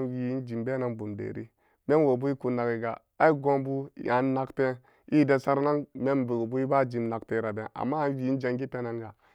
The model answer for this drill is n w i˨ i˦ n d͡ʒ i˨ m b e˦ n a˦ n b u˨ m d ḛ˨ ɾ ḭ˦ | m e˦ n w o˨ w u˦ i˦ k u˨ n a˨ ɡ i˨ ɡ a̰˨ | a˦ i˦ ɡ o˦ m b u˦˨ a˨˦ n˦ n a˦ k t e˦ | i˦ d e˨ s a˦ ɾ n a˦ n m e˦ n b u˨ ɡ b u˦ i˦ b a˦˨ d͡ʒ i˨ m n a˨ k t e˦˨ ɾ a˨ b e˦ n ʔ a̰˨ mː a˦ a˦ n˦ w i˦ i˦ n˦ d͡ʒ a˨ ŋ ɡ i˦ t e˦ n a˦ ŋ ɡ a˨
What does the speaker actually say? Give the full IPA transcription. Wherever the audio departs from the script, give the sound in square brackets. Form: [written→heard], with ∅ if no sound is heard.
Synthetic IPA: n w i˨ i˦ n d͡ʒ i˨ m b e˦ n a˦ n b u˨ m d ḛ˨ ɾ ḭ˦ | m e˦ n w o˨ [w→b] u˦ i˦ k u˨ n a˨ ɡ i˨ ɡ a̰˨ | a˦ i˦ ɡ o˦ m b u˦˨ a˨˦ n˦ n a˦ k t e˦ | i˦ d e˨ s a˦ ɾ n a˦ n m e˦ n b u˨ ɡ b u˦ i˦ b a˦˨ d͡ʒ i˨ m n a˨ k t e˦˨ ɾ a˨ b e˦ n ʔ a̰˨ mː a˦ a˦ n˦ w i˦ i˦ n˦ d͡ʒ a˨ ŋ ɡ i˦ t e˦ n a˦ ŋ ɡ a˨